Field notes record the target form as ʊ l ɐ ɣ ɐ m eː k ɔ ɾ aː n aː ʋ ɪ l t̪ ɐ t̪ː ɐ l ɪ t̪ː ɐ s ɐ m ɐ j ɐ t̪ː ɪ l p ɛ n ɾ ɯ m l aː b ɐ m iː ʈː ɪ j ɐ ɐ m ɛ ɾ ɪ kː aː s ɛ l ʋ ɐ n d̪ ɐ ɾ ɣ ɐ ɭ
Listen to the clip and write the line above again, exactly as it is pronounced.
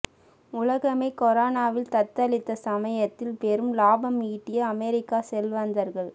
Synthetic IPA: ʊ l ɐ ɣ ɐ m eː k ɔ ɾ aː n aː ʋ ɪ l t̪ ɐ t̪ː ɐ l ɪ t̪ː ɐ s ɐ m ɐ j ɐ t̪ː ɪ l p ɛ ɾ ɯ m l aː b ɐ m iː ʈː ɪ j ɐ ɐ m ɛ ɾ ɪ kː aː s ɛ l ʋ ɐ n d̪ ɐ ɾ ɣ ɐ ɭ